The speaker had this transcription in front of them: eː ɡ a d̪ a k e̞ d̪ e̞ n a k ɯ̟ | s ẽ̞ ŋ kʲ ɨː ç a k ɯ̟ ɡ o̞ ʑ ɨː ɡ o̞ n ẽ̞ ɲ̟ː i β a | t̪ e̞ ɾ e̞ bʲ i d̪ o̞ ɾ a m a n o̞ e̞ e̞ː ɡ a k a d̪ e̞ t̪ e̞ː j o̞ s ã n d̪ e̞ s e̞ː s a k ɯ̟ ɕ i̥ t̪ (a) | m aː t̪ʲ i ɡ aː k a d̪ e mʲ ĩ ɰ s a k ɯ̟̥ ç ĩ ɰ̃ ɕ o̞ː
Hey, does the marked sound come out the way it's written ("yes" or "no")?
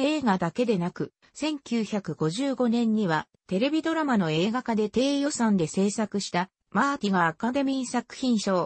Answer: yes